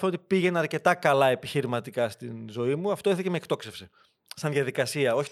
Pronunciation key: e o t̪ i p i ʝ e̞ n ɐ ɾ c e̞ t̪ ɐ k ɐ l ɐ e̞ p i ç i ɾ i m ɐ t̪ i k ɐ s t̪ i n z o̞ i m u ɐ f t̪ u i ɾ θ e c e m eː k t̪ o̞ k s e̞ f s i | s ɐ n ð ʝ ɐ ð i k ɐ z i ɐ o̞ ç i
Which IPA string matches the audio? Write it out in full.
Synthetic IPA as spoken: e o t̪ i p i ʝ e̞ n ɐ ɾ c e̞ t̪ ɐ k ɐ l ɐ e̞ p i ç i ɾ i m ɐ t̪ i k ɐ s t̪ i n z o̞ i m u ɐ f t̪ o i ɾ θ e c e m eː k t̪ o̞ k s e̞ f s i | s ɐ n ð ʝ ɐ ð i k ɐ s i ɐ o̞ ç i